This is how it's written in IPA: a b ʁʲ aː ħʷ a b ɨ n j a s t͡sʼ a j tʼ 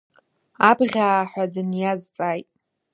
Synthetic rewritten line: a b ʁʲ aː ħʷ a d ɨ n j a z t͡sʼ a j tʼ